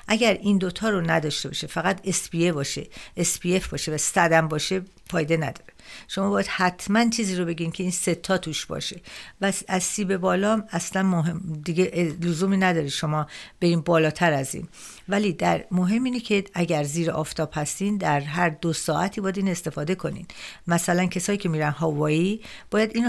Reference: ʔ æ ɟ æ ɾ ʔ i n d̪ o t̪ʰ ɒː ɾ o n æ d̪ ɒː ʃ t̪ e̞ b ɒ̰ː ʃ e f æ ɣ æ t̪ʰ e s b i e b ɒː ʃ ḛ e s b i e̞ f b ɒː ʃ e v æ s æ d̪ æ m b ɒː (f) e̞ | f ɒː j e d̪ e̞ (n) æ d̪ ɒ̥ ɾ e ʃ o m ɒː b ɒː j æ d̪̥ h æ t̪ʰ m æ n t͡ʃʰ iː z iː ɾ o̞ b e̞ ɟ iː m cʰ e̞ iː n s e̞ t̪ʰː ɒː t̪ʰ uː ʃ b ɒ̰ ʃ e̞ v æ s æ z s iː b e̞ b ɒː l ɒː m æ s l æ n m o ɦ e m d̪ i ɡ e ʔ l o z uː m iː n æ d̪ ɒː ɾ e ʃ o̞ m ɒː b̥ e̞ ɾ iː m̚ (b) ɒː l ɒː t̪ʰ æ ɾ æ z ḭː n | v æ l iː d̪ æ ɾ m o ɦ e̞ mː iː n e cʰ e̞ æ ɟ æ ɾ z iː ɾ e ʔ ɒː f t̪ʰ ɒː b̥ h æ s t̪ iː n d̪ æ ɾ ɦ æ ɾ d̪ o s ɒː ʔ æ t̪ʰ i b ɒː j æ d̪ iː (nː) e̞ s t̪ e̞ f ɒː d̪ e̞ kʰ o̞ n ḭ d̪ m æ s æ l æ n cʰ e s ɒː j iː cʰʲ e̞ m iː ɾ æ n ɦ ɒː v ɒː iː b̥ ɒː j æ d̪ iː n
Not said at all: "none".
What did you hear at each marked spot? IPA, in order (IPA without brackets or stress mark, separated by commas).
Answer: ʃ, n, b, n